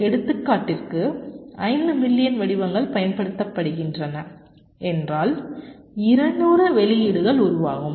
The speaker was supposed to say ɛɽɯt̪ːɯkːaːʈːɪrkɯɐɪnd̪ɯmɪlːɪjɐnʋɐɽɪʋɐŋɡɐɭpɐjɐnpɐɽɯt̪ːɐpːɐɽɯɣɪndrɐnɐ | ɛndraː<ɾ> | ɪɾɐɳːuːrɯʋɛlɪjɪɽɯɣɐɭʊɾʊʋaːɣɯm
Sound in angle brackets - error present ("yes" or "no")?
yes